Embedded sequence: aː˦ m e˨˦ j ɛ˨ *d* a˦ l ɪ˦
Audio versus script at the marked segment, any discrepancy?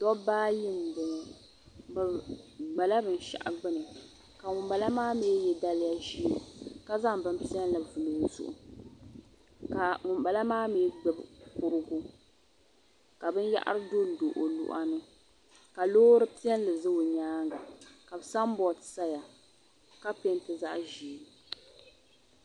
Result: no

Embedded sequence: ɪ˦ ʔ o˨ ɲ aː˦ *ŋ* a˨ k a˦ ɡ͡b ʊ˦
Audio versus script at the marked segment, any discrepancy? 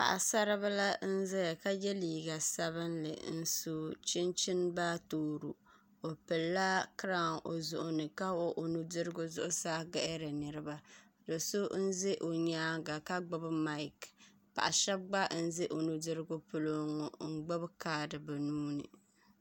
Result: yes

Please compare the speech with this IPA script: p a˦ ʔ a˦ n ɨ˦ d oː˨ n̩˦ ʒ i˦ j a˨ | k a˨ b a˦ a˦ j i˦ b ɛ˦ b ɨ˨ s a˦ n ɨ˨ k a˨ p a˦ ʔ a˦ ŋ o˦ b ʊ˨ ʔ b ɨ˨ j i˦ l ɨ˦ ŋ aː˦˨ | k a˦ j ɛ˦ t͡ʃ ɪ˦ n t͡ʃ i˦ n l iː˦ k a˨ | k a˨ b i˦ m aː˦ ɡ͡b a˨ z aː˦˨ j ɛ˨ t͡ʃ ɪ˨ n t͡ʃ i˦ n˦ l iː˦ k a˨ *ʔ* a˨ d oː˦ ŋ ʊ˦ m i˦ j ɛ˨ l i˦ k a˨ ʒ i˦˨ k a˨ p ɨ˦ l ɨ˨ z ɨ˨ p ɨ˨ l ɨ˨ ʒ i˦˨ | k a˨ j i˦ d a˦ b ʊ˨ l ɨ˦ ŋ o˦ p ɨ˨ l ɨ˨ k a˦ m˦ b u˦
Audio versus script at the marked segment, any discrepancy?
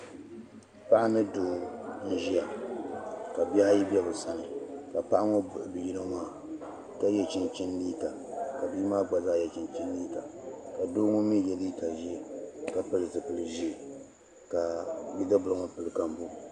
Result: yes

